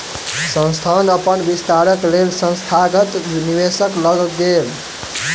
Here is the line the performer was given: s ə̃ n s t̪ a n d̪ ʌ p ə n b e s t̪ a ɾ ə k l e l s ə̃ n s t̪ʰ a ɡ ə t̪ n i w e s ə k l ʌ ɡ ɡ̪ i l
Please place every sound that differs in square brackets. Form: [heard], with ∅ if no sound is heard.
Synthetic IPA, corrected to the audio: s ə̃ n s [t̪ʰ] a n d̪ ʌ p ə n b [i] s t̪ a ɾ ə k l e l s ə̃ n s t̪ʰ a ɡ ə t̪ n i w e s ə k l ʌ ɡ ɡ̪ [e] l